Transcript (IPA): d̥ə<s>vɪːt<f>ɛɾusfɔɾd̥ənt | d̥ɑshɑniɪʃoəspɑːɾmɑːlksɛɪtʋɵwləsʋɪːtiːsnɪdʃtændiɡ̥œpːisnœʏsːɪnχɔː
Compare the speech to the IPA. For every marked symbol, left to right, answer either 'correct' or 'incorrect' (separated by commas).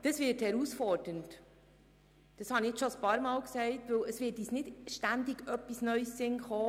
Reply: correct, incorrect